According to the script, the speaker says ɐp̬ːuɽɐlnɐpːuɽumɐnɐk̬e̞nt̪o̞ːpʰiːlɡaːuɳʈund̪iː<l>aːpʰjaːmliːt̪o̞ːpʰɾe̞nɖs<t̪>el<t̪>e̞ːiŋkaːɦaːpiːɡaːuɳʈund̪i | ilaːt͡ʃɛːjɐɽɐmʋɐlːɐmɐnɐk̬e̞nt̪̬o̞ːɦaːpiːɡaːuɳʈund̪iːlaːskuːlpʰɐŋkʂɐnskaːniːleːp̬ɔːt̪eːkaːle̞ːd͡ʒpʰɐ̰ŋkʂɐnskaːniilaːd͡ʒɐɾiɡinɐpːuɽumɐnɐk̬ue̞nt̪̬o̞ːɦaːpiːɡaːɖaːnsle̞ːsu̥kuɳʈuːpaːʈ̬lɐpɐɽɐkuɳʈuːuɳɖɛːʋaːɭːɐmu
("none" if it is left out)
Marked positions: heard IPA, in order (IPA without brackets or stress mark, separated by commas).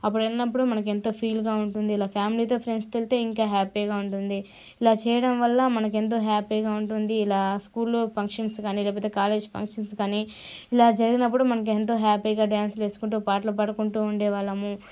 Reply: l, t̪, t̪